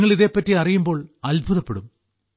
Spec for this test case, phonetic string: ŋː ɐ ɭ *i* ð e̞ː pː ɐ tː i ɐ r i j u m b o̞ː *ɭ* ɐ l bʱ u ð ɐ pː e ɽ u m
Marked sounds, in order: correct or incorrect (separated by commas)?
correct, correct